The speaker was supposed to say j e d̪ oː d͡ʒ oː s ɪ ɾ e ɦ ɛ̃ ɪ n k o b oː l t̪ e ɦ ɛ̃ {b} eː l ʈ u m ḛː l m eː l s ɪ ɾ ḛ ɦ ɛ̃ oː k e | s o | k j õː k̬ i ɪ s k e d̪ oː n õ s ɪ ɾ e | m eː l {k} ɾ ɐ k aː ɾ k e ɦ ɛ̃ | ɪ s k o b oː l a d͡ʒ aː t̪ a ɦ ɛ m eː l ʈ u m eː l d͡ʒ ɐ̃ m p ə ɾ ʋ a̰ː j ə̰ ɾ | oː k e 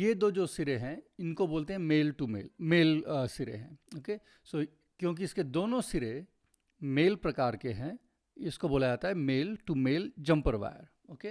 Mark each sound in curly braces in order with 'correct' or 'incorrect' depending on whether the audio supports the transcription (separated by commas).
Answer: incorrect, incorrect